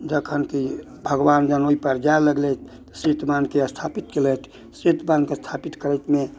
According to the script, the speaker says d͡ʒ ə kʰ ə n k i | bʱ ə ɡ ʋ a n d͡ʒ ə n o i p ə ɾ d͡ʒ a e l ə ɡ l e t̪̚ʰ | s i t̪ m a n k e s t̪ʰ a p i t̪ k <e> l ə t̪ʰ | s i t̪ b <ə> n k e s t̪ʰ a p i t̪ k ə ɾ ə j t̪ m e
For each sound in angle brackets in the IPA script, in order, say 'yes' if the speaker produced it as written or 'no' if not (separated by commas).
yes, no